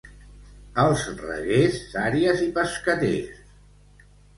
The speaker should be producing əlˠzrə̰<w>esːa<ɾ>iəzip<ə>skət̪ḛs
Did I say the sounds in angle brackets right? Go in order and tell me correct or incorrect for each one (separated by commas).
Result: incorrect, correct, correct